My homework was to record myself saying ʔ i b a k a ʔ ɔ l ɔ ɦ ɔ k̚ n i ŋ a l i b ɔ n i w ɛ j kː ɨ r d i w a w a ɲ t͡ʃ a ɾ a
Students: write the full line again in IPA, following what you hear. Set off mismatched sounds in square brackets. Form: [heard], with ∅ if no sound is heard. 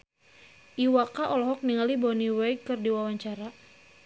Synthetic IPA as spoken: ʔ i [w] a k a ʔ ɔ l ɔ ɦ ɔ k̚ n i ŋ a l i b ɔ n i w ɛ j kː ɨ r d i w a w a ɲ t͡ʃ a ɾ a

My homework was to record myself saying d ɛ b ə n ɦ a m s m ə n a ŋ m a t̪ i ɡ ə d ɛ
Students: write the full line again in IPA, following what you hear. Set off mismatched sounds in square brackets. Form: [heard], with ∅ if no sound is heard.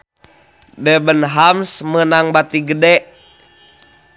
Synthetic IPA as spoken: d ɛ b ə n ɦ a m s m ə n a ŋ [b] a t̪ i ɡ ə d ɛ

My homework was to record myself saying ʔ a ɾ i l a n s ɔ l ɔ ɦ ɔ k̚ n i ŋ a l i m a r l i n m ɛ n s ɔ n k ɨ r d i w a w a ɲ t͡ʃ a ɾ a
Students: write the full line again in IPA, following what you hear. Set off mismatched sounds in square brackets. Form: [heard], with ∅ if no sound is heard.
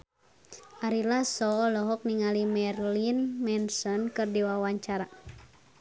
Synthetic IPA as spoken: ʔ a ɾ i l a [∅] s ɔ l ɔ ɦ ɔ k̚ n i ŋ a l i m [ɛ] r l i n m ɛ n s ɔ n k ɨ r d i w a w a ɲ t͡ʃ a ɾ a

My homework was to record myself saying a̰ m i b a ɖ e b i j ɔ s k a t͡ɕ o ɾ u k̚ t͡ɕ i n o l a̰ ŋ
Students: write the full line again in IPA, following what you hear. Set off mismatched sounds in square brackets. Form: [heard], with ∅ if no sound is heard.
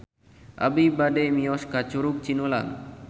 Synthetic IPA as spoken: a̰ [b] i b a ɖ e [m] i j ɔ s k a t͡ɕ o ɾ u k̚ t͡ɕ i n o l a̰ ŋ

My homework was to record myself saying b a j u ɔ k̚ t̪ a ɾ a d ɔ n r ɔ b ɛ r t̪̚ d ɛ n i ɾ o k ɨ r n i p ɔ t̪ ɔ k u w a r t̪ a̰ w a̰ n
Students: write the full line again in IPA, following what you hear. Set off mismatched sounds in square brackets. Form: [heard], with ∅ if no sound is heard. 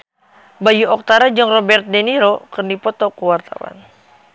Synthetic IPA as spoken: b a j u ɔ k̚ t̪ a ɾ a [d͡ʒ] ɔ [ŋ] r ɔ b ɛ r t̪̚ d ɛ n i ɾ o k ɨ r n i p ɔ t̪ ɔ k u w a r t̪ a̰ w a̰ n

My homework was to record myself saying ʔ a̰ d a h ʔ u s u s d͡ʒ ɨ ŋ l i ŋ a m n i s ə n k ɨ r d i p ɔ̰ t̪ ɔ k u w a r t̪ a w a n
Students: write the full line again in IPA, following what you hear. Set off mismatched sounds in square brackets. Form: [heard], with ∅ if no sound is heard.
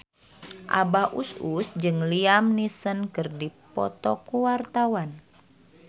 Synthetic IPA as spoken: ʔ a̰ [b] a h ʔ u s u s d͡ʒ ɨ ŋ l i [∅] a m n i s ə n k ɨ r d i p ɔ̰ t̪ ɔ k u w a r t̪ a w a n

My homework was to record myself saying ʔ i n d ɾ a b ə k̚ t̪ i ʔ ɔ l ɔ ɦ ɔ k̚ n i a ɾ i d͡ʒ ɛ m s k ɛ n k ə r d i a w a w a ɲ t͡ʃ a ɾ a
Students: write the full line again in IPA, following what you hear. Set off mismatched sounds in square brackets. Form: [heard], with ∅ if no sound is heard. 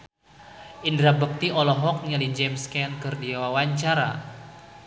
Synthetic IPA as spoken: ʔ i n d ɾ a b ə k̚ t̪ i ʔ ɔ l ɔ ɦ ɔ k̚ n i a [l] i d͡ʒ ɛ m s k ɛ n k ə r d i a w a w a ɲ t͡ʃ a ɾ a

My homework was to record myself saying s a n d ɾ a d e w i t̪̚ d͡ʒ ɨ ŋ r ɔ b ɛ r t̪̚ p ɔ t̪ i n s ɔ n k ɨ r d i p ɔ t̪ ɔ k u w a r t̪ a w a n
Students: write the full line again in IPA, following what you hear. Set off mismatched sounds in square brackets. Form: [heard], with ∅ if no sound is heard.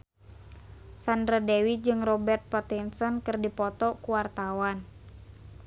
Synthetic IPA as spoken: s a n d ɾ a d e w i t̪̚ d͡ʒ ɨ ŋ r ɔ b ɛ r t̪̚ p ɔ t̪ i n s ɔ n k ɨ r d i p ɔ t̪ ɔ k u w a r t̪ a w a n

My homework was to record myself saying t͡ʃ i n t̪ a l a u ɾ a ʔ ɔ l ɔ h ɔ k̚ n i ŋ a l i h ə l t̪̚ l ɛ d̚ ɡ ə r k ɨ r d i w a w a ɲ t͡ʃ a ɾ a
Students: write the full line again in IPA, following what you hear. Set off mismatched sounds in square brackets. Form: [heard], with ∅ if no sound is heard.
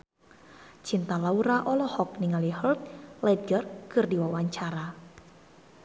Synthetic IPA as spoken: t͡ʃ i n t̪ a l a u ɾ a ʔ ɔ l ɔ h ɔ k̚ n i ŋ a l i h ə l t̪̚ l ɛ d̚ ɡ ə r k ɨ r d i w a w a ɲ t͡ʃ a ɾ a

